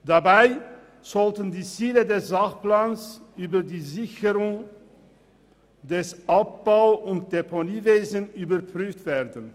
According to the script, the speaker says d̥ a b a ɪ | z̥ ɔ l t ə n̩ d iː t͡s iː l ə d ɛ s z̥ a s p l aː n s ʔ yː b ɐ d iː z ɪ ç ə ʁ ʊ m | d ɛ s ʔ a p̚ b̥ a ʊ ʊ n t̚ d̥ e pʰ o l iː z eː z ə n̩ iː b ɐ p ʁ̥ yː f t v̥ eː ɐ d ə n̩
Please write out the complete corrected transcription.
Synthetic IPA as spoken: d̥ a b a ɪ | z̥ ɔ l t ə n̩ d iː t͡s iː l ə d ɛ s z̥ a χ p l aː n s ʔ yː b ɐ d iː z ɪ ç ə ʁ ʊ ŋ | d ɛ s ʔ a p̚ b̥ a ʊ ʊ n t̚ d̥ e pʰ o l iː v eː z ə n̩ yː b ɐ p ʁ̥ yː f t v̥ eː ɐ d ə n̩